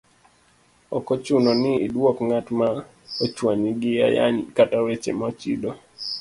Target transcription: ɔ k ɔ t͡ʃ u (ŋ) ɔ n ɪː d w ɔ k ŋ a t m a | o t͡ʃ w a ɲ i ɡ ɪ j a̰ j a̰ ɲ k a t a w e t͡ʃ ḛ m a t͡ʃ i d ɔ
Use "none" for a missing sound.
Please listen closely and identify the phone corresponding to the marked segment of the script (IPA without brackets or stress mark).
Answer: n